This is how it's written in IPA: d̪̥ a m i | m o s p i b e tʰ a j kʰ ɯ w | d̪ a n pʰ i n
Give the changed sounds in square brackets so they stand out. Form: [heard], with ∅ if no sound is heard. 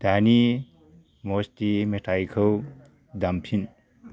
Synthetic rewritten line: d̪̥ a [n] i | m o s [t] i [m] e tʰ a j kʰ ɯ w | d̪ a [m] pʰ i n

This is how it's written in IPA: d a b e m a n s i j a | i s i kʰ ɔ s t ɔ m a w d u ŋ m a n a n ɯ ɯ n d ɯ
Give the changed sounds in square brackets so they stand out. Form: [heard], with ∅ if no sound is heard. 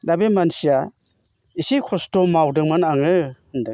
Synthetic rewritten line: d a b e m a n s i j a | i s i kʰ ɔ s t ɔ m a w d [ɯ] ŋ m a n a [ŋ] ɯ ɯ n d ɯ

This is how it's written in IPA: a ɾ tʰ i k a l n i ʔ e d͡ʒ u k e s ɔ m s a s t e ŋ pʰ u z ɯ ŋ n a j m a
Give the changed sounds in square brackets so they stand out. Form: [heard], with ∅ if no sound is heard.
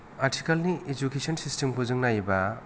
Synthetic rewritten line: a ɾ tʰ i k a l n i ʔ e d͡ʒ u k e s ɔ [n] s [i] s t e [m] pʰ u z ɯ ŋ n a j [b] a

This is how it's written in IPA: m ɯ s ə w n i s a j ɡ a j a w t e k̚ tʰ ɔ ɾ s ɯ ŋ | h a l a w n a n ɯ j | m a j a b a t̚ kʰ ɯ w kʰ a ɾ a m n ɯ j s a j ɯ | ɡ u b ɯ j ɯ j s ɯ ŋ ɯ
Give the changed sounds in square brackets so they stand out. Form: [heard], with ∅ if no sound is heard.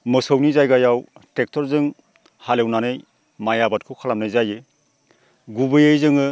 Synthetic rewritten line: m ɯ s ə w n i [z] a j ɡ a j a w t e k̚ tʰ ɔ ɾ [z] ɯ ŋ | h a l [e] w n a n ɯ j | m a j a b a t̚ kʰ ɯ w kʰ a [l] a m n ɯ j [z] a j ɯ | ɡ u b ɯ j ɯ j [z] ɯ ŋ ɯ

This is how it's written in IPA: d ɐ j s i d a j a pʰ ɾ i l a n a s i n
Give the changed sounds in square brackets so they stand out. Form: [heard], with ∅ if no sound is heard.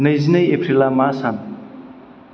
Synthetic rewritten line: [n] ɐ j [z] i [n] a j [e] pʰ ɾ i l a [m] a s [a] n

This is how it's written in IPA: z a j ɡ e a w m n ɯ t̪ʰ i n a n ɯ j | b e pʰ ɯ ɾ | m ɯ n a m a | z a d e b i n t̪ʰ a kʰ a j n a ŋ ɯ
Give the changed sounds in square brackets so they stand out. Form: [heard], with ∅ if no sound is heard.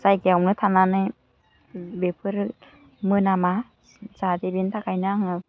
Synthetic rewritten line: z a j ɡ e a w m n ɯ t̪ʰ [a] n a n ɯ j | b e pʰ ɯ ɾ | m ɯ n a m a | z a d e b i n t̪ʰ a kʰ a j n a ŋ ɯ

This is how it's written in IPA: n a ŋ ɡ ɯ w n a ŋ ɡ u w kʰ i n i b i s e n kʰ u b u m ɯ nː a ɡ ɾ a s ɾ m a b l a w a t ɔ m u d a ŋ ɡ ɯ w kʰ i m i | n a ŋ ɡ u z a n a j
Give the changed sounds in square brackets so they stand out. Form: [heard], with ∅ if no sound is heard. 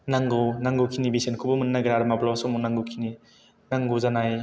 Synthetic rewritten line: n a ŋ ɡ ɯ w n a ŋ ɡ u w kʰ i n i b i s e n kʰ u b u m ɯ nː a ɡ ɾ a [∅] ɾ m a b l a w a [s] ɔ m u [n] a ŋ ɡ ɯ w kʰ i [n] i | n a ŋ ɡ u z a n a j

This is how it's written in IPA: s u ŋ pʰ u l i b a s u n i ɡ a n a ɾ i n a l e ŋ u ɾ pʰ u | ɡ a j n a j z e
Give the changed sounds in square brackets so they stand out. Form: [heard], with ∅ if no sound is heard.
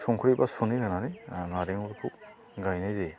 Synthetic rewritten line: s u ŋ [kʰ] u [ɾ] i b a s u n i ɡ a n a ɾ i n a [ɾ] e ŋ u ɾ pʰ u | ɡ a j n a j z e

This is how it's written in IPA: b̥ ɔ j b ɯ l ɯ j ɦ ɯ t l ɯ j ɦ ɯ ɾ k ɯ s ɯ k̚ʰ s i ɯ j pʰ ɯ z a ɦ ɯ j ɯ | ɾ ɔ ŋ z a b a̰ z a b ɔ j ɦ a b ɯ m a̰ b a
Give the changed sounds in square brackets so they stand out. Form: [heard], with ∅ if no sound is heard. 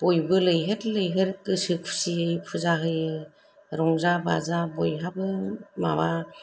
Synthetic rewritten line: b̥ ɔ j b ɯ l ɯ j ɦ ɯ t l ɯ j ɦ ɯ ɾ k ɯ s ɯ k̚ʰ s i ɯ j pʰ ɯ z a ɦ ɯ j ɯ | ɾ ɔ ŋ z a b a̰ z a b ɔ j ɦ a b ɯ m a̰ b a

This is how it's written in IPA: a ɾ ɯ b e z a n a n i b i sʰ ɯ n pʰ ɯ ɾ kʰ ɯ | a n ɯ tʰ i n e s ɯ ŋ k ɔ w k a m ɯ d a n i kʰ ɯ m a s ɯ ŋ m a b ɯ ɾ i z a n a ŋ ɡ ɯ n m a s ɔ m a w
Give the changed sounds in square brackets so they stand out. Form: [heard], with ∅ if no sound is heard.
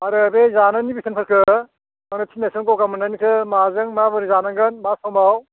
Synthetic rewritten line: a ɾ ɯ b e z a n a n i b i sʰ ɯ n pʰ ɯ ɾ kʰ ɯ | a n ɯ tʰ i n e s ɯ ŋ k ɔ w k a m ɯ [n] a n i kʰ ɯ m a [z] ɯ ŋ m a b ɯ ɾ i z a n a ŋ ɡ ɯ n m a s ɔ m a w

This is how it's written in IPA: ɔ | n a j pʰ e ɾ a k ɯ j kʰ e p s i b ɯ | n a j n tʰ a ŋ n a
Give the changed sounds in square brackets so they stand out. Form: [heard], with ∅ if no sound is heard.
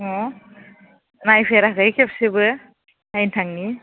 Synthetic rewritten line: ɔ | n a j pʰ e ɾ a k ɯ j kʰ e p s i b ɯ | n a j n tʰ a ŋ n [i]

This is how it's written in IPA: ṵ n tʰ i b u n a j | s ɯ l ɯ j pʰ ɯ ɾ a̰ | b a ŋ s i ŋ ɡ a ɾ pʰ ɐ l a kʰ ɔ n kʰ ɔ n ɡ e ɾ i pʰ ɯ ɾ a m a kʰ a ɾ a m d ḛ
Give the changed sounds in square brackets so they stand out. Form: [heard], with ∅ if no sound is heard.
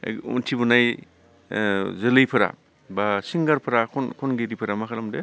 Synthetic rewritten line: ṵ n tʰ i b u n a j | [z] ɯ l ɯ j pʰ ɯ ɾ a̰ | b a [∅] s i ŋ ɡ a ɾ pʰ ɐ [ɾ] a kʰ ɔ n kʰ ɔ n ɡ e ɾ i pʰ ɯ ɾ a m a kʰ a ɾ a m d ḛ

